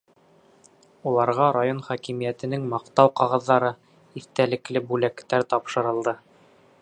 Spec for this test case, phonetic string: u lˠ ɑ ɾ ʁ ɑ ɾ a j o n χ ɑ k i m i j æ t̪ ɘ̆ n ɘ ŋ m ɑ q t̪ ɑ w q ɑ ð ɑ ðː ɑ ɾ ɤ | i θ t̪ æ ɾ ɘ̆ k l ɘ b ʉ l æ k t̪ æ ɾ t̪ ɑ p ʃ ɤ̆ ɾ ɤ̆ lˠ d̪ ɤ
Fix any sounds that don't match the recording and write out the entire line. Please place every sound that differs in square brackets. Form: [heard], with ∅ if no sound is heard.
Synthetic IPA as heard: u lˠ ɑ ɾ ʁ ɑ ɾ a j o n χ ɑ k i m i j æ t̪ ɘ̆ n ɘ ŋ m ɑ q t̪ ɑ w q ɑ [ʁ] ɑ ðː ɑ ɾ ɤ | i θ t̪ æ [l] ɘ̆ k l ɘ b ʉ l æ k t̪ æ ɾ t̪ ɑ p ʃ ɤ̆ ɾ ɤ̆ lˠ d̪ ɤ